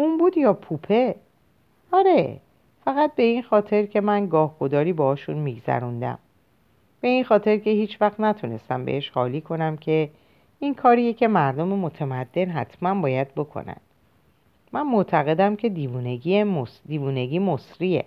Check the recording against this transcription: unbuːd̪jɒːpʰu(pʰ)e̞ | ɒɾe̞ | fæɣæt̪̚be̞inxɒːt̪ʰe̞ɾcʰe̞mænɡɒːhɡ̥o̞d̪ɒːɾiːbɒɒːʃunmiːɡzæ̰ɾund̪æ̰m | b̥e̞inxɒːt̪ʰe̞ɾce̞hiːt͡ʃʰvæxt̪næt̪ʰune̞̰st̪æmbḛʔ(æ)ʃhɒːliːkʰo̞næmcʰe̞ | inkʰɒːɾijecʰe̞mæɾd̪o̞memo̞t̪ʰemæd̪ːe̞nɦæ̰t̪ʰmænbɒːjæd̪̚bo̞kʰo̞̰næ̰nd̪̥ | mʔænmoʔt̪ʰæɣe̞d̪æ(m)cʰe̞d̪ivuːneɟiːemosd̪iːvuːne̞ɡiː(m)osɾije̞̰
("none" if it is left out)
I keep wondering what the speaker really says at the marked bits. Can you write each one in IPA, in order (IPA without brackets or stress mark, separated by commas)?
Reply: pʰ, e, m, m